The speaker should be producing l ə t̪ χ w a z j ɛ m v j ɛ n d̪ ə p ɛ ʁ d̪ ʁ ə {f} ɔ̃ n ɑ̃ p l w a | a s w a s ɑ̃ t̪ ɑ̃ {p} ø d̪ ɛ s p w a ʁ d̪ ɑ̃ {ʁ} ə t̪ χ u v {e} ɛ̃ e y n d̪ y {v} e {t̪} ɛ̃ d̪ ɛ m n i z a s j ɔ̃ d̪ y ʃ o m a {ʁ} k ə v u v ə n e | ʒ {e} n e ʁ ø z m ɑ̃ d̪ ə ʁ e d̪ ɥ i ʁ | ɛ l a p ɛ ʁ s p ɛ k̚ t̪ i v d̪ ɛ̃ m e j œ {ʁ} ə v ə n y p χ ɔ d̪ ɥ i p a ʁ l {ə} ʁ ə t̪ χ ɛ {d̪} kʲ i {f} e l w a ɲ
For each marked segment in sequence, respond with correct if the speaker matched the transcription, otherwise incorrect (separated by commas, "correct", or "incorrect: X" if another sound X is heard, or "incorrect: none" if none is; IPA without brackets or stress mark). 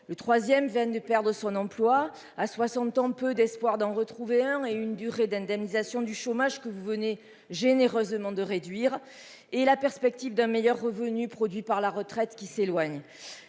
incorrect: s, correct, correct, correct, incorrect: ʁ, incorrect: d̪, incorrect: ʒ, correct, incorrect: ʁː, incorrect: a, incorrect: t̪, incorrect: s